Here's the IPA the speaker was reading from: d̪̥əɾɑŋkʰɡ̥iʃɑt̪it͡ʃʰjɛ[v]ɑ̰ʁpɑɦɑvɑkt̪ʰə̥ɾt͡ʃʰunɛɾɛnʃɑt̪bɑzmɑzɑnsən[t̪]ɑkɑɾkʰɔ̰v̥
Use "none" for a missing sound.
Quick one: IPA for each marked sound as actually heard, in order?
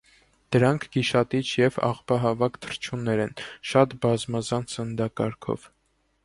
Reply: v, d̪

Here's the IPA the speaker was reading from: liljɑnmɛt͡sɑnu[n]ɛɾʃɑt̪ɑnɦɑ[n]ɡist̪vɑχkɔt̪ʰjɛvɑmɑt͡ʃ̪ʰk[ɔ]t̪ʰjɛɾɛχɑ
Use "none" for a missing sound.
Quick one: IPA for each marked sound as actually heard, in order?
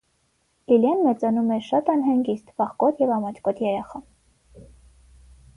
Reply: m, ŋ, ɔ

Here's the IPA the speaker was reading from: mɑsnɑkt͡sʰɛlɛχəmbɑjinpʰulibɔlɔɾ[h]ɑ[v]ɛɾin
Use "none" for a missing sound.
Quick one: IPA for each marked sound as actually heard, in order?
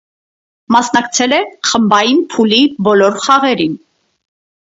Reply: χ, ʁ

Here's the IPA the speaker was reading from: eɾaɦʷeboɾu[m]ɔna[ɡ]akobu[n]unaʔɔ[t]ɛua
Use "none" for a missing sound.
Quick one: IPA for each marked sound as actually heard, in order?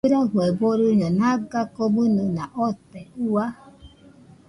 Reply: ɲ, ɡ, n, t

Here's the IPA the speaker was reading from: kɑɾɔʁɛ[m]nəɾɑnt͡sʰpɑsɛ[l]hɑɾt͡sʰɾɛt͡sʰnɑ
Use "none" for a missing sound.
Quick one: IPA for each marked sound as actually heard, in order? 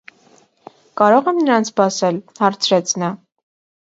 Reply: m, l

